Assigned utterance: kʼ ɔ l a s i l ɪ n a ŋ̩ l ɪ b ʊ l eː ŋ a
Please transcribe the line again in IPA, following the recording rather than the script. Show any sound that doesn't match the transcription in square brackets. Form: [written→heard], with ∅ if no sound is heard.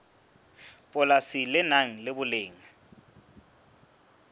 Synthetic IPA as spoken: [kʼ→pʼ] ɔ l a s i l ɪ n a ŋ̩ l ɪ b ʊ l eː ŋ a